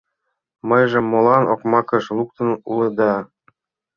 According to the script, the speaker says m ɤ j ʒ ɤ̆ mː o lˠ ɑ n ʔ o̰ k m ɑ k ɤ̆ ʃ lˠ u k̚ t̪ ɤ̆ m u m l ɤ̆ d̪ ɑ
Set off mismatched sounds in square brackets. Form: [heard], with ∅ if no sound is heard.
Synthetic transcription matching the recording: m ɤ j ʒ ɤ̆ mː o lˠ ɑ n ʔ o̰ k m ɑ k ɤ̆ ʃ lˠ u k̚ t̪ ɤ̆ [n] u [∅] l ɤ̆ d̪ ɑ